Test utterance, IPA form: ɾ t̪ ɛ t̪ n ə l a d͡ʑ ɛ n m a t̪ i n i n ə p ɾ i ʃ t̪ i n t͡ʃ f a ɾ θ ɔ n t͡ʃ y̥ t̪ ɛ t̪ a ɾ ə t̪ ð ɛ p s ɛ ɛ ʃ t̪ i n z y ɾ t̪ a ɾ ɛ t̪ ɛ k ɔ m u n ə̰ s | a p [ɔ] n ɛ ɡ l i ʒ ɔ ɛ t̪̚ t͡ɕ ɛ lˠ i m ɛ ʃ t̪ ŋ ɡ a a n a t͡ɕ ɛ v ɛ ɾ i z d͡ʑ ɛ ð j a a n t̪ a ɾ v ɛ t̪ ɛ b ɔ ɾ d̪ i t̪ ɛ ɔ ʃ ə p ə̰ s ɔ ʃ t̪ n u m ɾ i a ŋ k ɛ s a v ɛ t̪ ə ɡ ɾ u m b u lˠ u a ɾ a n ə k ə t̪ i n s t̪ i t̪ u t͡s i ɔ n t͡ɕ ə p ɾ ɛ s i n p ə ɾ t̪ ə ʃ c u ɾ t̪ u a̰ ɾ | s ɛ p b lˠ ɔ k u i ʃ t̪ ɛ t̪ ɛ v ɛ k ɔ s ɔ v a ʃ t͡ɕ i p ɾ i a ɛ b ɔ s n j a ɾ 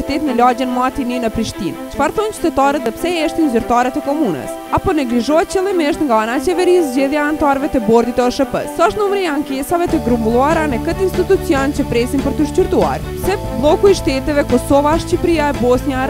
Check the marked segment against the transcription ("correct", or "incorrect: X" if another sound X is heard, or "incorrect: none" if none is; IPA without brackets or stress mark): correct